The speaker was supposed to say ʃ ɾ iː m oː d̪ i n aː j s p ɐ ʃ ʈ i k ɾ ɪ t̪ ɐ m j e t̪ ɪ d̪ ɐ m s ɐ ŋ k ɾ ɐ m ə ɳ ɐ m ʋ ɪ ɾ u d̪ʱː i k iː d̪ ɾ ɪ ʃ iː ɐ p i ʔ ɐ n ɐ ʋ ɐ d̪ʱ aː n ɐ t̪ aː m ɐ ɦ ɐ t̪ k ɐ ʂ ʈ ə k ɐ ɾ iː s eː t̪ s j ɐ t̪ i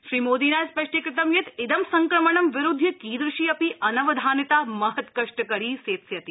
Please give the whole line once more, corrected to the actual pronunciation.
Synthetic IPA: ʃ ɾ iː m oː d̪ i n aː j s p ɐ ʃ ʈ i k ɾ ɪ t̪ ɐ m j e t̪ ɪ d̪ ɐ m s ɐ ŋ k ɾ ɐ m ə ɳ ɐ m ʋ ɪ ɾ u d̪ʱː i k iː d̪ ɾ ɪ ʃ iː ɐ p i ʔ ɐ n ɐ ʋ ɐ d̪ʱ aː n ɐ t̪ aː m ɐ ɦ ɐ t̪ k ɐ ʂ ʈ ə k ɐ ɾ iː s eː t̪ s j ɐ t̪ i